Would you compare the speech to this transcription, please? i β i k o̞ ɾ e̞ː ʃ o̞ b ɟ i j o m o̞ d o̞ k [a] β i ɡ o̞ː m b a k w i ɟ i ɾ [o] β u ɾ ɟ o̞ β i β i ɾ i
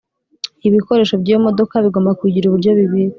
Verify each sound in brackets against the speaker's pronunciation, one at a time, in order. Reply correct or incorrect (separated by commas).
correct, incorrect